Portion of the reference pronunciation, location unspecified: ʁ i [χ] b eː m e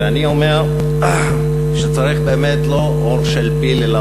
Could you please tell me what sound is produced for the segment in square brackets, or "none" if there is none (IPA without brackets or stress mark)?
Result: χ